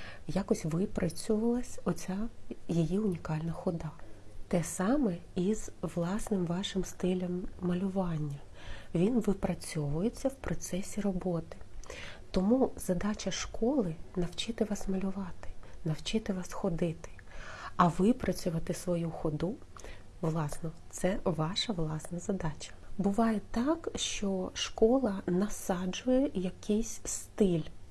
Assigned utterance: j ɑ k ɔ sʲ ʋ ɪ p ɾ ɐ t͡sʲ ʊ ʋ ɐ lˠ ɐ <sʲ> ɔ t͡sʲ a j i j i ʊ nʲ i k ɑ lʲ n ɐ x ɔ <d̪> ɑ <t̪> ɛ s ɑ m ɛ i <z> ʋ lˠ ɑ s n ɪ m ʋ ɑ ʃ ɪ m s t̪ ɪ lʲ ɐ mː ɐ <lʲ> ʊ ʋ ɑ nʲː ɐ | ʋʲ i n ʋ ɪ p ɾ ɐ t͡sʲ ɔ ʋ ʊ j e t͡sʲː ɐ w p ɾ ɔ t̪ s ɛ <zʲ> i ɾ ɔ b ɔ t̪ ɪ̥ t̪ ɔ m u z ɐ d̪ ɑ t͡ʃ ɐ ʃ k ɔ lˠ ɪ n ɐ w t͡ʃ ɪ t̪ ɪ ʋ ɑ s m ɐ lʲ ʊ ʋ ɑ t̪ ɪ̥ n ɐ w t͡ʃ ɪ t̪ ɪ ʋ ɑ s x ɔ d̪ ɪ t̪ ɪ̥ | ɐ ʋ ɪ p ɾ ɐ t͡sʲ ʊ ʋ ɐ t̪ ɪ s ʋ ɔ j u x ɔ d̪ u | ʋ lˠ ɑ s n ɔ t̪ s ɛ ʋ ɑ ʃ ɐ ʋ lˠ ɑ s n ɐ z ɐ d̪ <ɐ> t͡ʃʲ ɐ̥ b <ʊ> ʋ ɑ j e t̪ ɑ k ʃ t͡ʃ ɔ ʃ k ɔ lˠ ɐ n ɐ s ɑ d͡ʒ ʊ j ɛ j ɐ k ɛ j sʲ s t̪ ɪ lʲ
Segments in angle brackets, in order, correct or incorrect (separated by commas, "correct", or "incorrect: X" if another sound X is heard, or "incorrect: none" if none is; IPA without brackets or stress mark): correct, correct, correct, correct, correct, incorrect: sʲ, incorrect: ɑ, correct